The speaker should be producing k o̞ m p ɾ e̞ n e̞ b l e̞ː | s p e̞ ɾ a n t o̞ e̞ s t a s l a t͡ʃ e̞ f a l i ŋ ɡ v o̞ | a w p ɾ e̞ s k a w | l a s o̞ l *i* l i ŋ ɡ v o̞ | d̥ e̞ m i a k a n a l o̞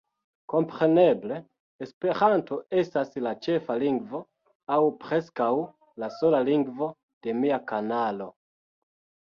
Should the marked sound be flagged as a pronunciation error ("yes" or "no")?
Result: yes